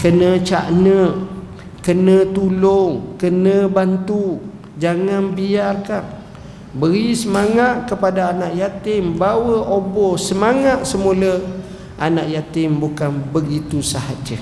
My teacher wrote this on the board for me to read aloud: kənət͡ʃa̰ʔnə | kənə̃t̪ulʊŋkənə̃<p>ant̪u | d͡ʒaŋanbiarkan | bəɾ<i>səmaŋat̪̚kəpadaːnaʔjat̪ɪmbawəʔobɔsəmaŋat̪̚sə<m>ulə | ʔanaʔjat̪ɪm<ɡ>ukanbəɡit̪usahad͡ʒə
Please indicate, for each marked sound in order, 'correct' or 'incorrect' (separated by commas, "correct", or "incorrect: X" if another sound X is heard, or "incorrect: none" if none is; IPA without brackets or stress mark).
incorrect: b, correct, correct, incorrect: b